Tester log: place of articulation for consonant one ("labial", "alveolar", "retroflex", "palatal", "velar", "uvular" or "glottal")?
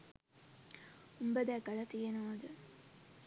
labial